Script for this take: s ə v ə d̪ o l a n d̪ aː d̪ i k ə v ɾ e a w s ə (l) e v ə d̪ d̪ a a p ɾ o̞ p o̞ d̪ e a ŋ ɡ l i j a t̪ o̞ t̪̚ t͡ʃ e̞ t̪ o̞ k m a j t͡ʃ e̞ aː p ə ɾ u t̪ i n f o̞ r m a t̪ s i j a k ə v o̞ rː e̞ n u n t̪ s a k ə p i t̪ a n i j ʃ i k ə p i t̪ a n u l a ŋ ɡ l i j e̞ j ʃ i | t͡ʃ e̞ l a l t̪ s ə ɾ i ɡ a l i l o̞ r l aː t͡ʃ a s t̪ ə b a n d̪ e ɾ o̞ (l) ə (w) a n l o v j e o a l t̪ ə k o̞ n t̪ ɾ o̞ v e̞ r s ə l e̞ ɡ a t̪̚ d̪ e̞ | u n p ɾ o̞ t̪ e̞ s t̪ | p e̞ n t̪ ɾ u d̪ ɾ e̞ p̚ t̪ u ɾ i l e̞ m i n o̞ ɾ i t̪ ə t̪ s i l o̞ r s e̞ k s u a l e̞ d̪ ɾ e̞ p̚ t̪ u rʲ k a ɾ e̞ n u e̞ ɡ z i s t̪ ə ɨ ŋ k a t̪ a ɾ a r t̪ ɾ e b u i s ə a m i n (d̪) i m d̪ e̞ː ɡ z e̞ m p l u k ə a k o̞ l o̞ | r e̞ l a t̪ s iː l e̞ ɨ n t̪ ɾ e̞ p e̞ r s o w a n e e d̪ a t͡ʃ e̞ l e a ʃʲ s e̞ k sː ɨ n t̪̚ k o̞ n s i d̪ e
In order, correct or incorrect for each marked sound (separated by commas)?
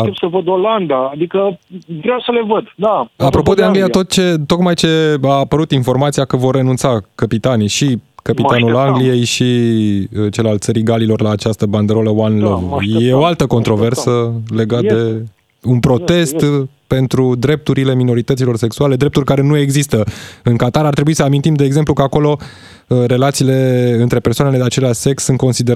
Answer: correct, correct, correct, incorrect